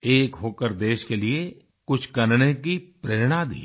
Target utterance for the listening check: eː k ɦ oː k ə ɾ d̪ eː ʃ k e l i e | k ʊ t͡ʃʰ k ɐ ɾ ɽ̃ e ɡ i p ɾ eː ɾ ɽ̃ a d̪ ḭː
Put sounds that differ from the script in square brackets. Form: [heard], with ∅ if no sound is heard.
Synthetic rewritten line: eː k ɦ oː k ə ɾ d̪ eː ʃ k e l i e | k ʊ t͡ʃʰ k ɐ ɾ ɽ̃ e [k] i p ɾ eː ɾ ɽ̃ a d̪ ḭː